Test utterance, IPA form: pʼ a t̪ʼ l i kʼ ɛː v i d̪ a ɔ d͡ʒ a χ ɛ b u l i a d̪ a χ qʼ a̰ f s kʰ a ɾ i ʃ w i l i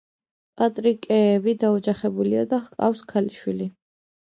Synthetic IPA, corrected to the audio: pʼ a t̪ʼ ɾ i kʼ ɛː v i d̪ a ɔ d͡ʒ a χ ɛ b u l i a d̪ a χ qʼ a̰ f s kʰ a l i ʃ w i l i